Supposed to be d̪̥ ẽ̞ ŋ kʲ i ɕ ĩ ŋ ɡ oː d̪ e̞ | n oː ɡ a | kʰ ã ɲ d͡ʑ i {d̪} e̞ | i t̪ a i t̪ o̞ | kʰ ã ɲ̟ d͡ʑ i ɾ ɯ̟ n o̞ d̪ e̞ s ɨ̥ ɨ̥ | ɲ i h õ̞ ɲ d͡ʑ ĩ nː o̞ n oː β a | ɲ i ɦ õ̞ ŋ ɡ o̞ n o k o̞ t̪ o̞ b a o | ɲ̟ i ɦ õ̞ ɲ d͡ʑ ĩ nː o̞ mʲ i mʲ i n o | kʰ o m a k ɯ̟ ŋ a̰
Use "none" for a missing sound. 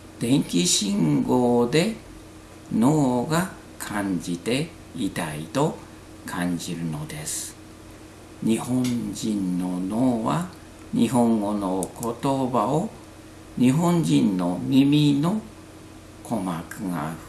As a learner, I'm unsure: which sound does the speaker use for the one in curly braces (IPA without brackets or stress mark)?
t̪